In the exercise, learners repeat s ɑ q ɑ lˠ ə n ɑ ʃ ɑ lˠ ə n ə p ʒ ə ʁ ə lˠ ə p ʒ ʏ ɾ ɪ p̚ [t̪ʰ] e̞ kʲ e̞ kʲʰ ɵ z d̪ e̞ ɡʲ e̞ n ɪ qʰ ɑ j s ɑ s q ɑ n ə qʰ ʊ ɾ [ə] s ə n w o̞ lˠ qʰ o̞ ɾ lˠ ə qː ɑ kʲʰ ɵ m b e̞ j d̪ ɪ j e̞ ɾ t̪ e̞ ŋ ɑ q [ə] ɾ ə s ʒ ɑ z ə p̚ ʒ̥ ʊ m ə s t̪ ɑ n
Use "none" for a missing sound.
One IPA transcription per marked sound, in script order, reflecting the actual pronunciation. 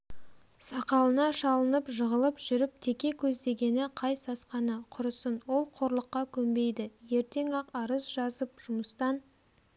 t̪ʰ, ə, ɑ

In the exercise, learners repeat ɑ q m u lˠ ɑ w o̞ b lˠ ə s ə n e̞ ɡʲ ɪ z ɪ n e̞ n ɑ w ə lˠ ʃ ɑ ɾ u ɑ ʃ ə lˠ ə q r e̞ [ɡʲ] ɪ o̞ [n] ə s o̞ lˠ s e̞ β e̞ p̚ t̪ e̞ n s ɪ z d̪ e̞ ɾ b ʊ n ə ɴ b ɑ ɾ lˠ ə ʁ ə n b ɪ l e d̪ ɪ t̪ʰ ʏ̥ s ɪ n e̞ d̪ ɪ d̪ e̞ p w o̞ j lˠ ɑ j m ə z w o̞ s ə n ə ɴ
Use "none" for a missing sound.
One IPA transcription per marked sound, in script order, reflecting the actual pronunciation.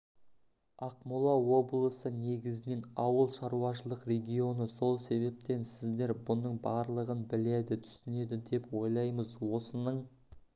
ɡʲ, n

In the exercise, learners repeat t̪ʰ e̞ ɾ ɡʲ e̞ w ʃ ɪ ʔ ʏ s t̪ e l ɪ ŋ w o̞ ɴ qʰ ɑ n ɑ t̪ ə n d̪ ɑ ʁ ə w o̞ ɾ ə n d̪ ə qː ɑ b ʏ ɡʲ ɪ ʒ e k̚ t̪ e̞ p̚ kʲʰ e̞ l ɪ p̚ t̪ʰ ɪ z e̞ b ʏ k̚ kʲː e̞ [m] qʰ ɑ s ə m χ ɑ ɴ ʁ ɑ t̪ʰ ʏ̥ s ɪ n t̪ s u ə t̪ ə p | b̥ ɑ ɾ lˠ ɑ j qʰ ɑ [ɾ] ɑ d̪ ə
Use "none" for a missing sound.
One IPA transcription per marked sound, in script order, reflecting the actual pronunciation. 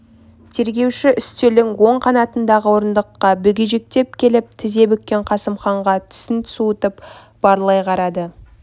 ɴ, ɾ

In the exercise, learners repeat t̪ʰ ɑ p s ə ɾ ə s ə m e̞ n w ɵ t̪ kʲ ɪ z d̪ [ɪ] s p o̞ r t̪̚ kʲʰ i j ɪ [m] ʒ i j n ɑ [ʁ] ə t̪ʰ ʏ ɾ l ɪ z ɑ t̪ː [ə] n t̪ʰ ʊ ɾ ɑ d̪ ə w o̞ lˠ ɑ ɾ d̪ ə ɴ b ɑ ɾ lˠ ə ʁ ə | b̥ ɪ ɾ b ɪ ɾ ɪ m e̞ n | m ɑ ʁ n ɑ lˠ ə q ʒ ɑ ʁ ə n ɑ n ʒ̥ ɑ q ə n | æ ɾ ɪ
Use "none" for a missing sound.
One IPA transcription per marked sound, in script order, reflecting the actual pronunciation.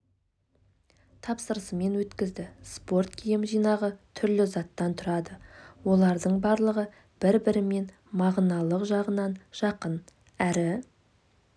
ɪ, m, ʁ, ɑ

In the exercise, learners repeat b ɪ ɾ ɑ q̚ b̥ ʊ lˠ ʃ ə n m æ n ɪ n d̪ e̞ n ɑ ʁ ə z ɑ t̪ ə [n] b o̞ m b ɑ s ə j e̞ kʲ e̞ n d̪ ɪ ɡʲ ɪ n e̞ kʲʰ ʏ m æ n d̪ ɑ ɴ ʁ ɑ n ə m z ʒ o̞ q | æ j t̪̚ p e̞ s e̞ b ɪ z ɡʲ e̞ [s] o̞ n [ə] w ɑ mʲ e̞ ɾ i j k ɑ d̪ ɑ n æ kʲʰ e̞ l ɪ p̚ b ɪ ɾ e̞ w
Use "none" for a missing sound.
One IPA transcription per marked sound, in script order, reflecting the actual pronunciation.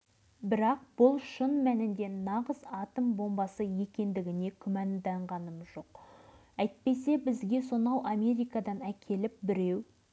m, s, ɑ

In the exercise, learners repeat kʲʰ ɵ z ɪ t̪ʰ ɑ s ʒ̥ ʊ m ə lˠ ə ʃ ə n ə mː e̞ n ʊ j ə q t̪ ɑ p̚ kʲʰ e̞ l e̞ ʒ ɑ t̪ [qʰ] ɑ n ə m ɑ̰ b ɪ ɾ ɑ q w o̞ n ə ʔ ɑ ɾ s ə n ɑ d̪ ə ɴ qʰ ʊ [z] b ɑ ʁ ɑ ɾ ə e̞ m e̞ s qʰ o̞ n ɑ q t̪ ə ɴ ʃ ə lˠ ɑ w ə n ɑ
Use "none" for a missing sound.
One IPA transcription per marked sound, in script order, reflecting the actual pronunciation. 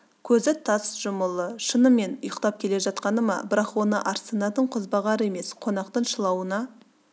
q, z

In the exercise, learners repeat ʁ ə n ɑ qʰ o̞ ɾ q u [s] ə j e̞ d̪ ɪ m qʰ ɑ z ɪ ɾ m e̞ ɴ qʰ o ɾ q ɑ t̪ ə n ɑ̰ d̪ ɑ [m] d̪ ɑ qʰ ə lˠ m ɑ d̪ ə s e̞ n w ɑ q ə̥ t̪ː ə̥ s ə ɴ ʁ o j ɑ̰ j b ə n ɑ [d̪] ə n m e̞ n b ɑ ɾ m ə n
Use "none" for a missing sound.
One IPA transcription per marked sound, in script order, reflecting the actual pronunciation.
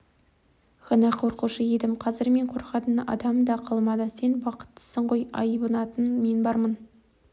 ʃ, m, t̪

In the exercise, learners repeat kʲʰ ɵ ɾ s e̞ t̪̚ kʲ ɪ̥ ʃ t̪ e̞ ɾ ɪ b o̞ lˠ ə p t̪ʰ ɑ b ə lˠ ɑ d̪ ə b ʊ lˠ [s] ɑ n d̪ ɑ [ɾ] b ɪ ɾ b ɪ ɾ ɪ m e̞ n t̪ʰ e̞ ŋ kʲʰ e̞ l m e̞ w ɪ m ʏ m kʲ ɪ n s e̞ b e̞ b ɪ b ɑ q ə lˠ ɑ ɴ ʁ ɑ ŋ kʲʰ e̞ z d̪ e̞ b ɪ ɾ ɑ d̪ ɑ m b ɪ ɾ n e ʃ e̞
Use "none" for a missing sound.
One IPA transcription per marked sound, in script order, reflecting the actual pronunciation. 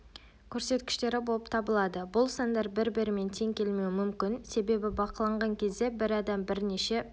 s, ɾ

